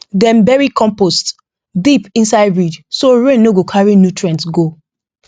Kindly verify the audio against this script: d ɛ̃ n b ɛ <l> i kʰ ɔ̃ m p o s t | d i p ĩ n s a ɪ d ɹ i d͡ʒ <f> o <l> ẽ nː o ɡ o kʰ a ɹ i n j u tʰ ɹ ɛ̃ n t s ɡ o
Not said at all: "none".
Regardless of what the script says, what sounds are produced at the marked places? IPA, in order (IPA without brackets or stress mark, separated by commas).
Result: ɹ, s, ɹ